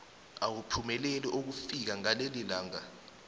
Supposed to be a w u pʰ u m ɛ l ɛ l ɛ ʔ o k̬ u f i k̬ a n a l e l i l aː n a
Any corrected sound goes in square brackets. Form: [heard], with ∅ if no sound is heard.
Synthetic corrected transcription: a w u pʰ u m ɛ l ɛ l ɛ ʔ o k̬ u f i k̬ a [ŋ] a l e l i l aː [ŋ] a